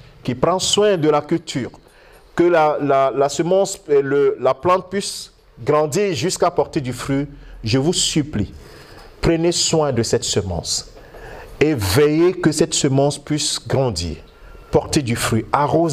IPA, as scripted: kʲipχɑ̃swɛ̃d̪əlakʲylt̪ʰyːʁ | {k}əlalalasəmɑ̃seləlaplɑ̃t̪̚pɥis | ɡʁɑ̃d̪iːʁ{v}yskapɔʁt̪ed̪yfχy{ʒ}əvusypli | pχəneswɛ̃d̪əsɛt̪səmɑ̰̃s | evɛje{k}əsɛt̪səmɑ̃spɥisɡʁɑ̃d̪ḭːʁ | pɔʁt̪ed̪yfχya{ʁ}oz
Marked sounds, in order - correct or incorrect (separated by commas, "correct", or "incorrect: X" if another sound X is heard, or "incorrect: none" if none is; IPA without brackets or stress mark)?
correct, incorrect: ʒ, correct, correct, correct